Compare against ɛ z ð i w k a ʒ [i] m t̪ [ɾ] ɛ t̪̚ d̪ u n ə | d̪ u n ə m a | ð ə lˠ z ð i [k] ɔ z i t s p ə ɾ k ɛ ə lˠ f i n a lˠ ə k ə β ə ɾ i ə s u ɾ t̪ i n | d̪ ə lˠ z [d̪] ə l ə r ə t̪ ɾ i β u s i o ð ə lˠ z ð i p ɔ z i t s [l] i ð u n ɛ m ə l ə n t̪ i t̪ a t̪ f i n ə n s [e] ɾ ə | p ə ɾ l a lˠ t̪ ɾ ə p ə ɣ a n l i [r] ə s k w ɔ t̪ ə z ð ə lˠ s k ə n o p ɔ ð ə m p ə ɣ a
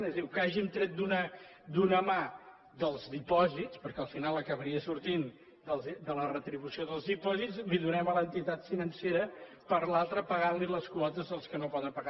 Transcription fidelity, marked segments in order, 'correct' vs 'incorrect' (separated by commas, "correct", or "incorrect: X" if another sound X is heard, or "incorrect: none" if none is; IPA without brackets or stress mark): correct, correct, incorrect: p, correct, correct, correct, incorrect: l